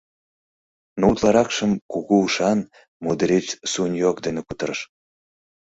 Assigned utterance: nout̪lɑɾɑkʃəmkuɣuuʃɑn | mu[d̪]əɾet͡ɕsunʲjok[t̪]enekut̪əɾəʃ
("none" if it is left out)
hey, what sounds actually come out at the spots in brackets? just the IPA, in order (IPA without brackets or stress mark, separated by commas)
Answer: d̪, d̪